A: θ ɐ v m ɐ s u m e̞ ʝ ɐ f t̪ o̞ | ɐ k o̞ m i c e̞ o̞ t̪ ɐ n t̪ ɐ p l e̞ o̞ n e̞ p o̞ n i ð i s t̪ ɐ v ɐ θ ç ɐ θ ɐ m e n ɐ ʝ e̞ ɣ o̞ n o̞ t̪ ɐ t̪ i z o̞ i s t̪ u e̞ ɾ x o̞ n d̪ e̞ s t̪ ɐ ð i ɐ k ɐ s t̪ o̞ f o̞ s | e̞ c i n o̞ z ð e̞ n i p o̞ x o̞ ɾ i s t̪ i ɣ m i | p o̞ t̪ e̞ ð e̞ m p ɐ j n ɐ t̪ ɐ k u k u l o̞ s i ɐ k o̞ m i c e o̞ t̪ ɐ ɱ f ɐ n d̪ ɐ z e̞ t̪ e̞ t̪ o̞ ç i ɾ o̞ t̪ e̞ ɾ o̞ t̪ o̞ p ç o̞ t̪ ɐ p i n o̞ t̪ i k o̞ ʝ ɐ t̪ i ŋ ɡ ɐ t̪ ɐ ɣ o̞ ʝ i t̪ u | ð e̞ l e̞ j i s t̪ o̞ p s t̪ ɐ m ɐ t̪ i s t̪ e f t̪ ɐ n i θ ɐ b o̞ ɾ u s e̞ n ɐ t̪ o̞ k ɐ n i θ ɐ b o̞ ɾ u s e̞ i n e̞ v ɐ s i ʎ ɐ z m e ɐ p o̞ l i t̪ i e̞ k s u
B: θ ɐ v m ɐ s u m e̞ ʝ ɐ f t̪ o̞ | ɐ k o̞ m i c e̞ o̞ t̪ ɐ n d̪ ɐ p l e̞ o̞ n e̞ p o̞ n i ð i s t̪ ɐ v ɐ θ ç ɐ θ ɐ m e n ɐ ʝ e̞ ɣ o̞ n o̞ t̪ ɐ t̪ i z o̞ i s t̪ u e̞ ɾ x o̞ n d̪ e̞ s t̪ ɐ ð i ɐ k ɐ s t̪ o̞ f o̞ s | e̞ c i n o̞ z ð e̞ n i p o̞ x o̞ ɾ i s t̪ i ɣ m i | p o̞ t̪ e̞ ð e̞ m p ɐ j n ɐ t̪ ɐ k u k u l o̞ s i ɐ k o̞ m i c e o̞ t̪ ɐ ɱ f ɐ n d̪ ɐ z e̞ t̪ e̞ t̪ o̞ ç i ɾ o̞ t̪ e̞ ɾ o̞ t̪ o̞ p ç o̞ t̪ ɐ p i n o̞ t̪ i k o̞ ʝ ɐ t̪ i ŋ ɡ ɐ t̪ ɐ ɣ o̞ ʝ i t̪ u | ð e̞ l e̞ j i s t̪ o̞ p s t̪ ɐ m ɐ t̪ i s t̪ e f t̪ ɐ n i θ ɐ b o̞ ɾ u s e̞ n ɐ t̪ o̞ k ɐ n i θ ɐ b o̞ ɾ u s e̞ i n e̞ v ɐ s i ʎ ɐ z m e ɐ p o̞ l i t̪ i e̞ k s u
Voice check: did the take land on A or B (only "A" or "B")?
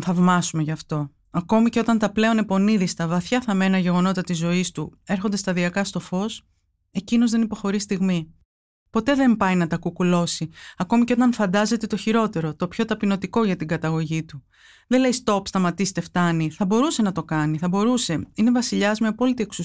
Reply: A